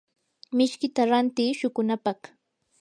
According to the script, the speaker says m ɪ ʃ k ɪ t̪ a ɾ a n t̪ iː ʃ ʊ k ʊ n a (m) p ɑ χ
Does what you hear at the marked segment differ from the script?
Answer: yes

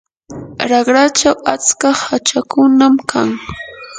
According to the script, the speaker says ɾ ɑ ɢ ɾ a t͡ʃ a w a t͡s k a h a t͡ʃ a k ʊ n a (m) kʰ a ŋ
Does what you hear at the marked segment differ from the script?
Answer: no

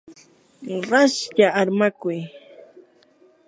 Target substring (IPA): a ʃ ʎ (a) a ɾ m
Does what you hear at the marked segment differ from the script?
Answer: no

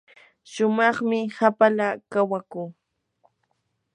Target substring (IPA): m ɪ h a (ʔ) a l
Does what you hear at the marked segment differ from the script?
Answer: yes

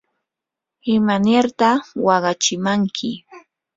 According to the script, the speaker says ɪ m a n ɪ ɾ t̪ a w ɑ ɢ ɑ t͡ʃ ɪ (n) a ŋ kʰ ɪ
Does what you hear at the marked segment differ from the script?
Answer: yes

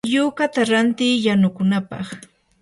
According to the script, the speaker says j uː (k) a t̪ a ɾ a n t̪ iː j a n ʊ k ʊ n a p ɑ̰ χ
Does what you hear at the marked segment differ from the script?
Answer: no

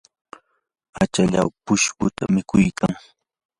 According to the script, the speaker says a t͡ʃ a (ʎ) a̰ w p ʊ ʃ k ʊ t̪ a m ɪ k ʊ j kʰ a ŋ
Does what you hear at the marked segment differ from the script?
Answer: no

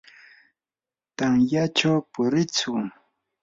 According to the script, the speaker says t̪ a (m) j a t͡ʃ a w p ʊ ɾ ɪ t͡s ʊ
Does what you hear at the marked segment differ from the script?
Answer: yes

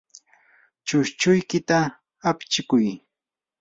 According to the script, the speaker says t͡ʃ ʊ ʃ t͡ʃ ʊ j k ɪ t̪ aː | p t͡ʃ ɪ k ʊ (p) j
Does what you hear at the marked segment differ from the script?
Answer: yes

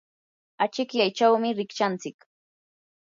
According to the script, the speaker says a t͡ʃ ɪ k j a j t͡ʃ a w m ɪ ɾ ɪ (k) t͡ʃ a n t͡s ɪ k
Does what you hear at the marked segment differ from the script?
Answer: no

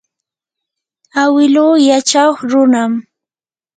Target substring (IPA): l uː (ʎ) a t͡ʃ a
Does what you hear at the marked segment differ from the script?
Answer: yes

